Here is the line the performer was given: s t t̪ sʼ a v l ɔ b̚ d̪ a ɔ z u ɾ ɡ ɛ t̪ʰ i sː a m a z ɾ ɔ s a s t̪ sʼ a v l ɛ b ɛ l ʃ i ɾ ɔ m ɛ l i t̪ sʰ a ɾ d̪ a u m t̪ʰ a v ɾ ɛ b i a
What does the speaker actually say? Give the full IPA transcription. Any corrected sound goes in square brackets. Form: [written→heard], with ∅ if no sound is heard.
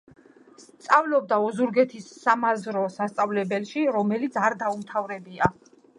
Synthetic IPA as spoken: s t t̪ sʼ a v l ɔ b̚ d̪ a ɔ z u ɾ ɡ ɛ t̪ʰ i sː a m a z ɾ ɔ s a s t̪ sʼ a v l ɛ b ɛ l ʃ i ɾ ɔ m ɛ l i t̪ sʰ a ɾ d̪ a u m t̪ʰ a v ɾ ɛ b i a